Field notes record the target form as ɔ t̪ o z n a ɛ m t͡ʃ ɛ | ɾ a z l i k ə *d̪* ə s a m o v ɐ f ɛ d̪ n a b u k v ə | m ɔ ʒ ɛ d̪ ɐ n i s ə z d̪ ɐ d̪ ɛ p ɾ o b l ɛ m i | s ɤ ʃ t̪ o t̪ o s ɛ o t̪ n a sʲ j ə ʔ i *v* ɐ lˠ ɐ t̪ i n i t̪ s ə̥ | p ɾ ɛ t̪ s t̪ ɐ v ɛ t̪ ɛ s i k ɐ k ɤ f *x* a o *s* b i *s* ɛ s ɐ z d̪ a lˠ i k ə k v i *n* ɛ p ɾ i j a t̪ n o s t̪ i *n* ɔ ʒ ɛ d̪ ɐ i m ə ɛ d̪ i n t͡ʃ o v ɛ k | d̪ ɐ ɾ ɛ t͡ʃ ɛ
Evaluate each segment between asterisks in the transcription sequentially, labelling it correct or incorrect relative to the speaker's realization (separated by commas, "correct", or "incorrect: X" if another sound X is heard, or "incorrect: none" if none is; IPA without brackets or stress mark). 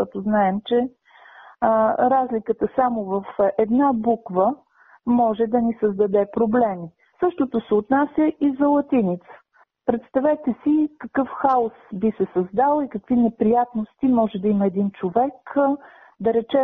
incorrect: t̪, incorrect: z, correct, correct, correct, correct, incorrect: m